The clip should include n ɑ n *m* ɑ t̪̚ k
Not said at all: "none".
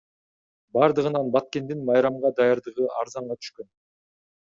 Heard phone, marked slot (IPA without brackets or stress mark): b